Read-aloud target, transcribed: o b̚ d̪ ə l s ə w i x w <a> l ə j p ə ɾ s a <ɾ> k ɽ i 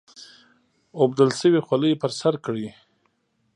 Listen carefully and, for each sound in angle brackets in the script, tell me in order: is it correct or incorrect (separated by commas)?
correct, correct